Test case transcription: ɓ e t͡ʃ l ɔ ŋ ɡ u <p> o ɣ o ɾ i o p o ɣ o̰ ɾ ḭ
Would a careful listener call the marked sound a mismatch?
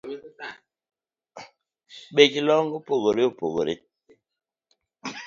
no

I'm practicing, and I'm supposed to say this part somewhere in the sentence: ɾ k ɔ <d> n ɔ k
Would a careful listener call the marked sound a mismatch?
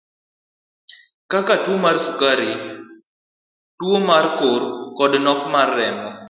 no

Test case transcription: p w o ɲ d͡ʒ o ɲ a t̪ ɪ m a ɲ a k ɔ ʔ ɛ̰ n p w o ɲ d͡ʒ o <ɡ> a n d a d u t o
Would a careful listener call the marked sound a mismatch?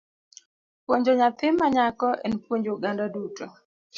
no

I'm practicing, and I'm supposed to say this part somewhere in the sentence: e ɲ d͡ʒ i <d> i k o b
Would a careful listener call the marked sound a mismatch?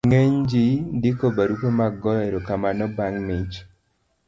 no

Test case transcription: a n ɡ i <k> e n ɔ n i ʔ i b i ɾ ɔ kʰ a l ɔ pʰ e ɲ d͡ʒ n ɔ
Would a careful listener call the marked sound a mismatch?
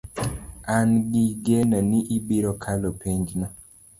yes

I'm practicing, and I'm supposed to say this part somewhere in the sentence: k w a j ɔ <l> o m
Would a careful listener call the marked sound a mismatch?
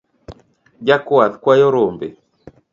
yes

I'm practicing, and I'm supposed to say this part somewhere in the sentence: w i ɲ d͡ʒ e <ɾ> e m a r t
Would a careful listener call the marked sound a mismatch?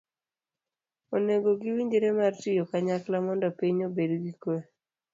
no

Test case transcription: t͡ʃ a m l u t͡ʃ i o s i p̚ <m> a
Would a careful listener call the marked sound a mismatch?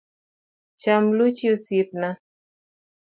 yes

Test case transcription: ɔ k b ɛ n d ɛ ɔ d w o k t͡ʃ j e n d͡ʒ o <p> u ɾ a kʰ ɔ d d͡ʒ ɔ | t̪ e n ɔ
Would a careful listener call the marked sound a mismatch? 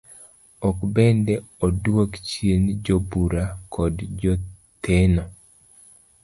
yes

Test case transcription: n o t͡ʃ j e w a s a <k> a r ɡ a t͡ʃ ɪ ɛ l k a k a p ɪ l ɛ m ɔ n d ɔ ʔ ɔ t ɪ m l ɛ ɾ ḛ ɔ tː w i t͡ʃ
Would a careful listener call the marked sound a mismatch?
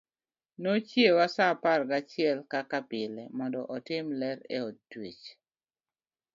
yes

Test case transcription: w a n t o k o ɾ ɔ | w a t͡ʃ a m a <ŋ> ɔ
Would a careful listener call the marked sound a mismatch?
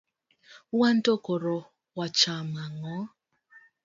no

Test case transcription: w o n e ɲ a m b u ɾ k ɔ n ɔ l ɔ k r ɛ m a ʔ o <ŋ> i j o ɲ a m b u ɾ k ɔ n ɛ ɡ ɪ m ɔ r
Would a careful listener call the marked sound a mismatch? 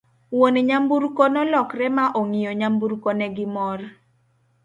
no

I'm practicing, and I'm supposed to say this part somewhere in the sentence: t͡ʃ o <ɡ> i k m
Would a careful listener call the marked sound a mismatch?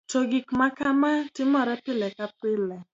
no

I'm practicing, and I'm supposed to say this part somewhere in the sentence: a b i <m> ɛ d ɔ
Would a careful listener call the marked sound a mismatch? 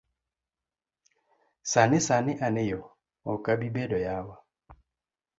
yes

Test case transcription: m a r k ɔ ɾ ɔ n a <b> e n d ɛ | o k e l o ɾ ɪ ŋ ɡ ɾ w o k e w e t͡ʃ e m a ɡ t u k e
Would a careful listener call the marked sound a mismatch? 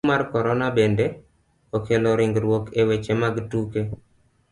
no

